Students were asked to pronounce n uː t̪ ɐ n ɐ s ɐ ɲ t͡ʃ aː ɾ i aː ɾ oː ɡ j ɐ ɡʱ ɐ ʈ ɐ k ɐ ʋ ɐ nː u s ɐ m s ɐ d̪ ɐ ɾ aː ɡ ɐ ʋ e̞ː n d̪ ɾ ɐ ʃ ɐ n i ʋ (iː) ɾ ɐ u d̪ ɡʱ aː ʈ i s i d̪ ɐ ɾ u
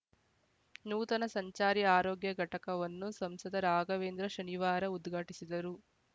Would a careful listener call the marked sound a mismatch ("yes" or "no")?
yes